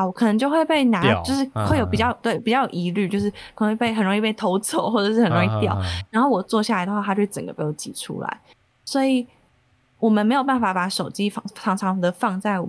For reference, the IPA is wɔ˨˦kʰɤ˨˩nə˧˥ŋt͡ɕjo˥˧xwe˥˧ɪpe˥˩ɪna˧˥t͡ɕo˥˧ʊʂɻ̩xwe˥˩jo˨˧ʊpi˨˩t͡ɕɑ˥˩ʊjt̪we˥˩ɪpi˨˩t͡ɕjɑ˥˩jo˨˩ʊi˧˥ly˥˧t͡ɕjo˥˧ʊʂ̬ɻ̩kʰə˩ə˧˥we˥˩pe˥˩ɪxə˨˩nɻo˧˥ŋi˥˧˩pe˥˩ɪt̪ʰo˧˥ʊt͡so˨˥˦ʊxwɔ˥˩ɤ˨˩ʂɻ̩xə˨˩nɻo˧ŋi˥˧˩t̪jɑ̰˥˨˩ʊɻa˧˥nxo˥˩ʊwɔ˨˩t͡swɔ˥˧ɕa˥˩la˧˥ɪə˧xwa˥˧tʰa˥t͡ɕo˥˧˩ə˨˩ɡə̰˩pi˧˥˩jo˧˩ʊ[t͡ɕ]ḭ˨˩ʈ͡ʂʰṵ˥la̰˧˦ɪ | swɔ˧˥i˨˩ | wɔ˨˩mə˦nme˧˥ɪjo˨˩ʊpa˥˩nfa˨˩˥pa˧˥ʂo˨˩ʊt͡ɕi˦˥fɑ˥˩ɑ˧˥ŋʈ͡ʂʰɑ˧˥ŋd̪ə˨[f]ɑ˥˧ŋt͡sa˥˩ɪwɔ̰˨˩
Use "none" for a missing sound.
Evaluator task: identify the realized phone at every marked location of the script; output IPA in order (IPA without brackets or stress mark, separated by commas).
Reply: t͡ɕ, f